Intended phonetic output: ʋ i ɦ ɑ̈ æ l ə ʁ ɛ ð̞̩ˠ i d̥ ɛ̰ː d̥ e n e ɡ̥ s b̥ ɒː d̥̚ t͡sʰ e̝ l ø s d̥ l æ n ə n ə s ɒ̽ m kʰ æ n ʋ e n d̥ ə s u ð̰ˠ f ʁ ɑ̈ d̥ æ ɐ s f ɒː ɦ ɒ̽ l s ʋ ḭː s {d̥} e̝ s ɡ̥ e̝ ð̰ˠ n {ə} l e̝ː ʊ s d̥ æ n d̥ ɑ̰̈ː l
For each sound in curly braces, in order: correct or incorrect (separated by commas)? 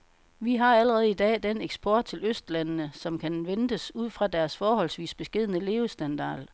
incorrect, correct